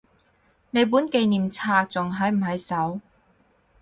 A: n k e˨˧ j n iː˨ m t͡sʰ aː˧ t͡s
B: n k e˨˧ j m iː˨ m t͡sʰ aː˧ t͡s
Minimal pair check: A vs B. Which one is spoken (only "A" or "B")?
A